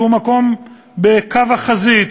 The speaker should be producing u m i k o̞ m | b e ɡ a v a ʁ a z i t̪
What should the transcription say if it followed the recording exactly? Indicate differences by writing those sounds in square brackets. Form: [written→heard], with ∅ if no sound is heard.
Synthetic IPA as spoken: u m [i→a] k o̞ m | b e [ɡ→k] a v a [ʁ→χ] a z i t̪

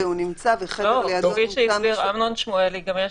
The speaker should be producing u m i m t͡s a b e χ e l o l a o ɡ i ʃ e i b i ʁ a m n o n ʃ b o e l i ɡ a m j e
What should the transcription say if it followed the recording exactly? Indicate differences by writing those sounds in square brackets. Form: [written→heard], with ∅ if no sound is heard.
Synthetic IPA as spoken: u [m→n] i m t͡s a [b→v] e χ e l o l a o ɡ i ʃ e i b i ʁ a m n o n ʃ [b→m] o e l i ɡ a m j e

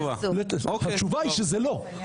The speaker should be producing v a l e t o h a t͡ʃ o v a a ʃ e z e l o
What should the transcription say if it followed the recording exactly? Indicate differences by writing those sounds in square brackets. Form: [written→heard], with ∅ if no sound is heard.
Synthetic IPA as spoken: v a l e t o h a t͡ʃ [o→u] v a [a→i] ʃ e z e l o

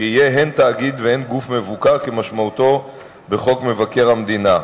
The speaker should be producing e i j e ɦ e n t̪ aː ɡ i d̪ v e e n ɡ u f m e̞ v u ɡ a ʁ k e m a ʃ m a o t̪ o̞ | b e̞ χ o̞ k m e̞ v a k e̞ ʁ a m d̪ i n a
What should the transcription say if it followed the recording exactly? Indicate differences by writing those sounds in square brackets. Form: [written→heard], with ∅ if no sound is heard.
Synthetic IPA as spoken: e i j e ɦ e n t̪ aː ɡ i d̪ v e e n ɡ u f m e̞ v u [ɡ→k] a ʁ k e m a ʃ m a [o→u] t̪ o̞ | b e̞ χ o̞ k m e̞ v a k e̞ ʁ a m d̪ i n a

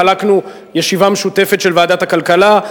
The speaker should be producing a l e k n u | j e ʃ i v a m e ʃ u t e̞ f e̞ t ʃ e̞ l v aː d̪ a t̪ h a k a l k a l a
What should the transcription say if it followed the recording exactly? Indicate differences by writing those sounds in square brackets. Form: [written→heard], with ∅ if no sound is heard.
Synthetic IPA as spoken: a l [e→a] k n u | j e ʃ i v a m e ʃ u t e̞ f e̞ t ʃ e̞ l v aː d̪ a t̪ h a k a l k a l a

